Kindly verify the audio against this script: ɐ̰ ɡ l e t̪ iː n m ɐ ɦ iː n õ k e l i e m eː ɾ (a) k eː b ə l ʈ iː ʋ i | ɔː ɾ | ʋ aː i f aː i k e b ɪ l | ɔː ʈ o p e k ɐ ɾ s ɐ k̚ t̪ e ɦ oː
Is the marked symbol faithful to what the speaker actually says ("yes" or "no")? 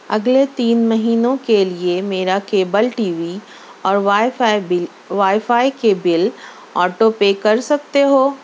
yes